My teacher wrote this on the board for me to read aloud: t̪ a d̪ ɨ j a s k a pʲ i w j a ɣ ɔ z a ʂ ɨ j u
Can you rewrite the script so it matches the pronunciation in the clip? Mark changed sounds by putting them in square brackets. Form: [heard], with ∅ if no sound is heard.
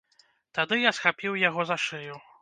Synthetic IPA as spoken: t̪ a d̪ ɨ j a s [x] a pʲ i w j a ɣ ɔ z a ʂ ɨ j u